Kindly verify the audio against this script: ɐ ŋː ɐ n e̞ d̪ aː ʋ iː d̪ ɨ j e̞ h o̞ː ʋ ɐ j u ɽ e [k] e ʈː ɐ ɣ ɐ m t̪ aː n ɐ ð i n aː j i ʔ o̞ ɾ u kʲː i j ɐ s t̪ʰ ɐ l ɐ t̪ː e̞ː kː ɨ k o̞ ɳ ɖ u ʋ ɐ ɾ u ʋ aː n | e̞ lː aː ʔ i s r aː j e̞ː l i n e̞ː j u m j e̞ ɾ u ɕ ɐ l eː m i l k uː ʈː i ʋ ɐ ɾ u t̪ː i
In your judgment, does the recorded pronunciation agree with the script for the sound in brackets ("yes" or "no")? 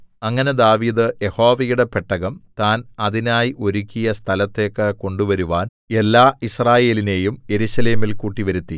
no